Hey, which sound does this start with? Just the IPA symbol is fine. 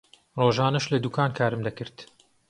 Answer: r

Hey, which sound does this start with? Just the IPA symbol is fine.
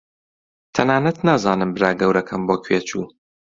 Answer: t̪ʰ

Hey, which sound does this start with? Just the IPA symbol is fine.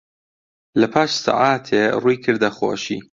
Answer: l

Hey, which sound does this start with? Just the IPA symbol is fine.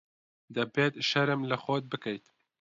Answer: d̪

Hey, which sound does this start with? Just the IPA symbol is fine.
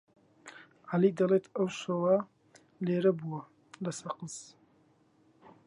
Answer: ʕ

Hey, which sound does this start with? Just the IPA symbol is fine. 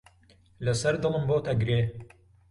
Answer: l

